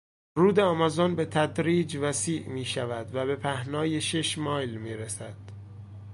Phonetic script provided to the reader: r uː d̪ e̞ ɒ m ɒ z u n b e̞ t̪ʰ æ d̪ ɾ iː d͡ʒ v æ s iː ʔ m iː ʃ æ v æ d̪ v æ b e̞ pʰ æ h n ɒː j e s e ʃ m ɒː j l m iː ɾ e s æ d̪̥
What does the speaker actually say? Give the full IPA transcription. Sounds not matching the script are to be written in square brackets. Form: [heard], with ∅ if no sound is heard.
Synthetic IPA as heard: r uː d̪ e̞ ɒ m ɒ z [o] n b e̞ t̪ʰ æ d̪ ɾ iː d͡ʒ v æ s iː ʔ m iː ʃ æ v æ d̪ v æ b e̞ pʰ æ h n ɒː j e [ʃ] e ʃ m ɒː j l m iː ɾ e s æ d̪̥